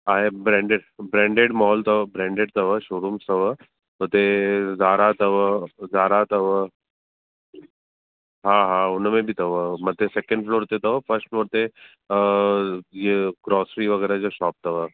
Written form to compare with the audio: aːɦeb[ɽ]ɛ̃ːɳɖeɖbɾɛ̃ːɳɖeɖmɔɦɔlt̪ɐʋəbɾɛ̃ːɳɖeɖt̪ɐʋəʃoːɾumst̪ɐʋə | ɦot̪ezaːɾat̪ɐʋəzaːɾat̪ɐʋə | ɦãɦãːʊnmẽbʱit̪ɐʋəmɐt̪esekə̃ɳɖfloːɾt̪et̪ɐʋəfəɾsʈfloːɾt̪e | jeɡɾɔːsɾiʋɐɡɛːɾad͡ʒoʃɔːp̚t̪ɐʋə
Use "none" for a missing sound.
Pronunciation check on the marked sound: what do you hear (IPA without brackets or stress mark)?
ɾ